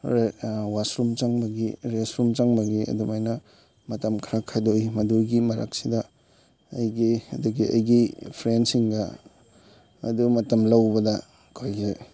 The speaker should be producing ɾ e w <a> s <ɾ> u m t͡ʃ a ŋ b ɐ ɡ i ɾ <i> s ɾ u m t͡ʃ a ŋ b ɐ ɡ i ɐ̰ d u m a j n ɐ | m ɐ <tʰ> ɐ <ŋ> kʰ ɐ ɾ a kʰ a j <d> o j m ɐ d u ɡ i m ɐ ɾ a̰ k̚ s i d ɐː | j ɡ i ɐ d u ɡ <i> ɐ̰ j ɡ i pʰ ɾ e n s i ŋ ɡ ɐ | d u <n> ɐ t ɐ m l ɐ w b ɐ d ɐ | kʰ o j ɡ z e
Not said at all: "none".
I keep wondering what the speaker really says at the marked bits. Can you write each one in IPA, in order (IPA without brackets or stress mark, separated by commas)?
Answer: a, ɾ, e, t, m, d, i, m